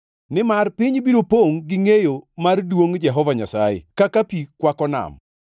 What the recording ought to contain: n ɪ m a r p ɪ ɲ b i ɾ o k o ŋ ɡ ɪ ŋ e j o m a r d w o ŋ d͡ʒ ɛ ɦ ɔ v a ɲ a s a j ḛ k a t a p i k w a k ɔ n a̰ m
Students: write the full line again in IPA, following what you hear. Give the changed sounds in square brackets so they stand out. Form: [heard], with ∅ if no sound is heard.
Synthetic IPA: n ɪ m a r p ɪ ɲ b i ɾ o [p] o ŋ ɡ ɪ ŋ e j o m a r d w o ŋ d͡ʒ ɛ ɦ ɔ v a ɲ a s a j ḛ k a [k] a p i k w a k ɔ n a̰ m